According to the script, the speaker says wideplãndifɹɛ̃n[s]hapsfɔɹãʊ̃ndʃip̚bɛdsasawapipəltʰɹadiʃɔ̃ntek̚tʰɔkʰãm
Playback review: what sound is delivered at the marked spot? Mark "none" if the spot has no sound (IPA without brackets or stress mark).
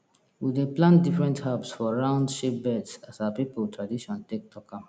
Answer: t